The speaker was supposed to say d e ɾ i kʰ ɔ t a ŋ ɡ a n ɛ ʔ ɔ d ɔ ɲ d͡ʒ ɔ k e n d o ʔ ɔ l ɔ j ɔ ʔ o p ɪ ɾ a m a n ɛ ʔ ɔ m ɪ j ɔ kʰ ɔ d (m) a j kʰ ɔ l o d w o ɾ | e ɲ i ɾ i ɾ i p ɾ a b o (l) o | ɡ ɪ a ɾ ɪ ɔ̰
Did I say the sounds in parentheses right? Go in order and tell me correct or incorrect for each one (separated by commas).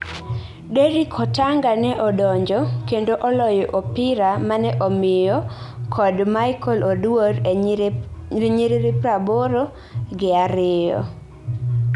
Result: correct, incorrect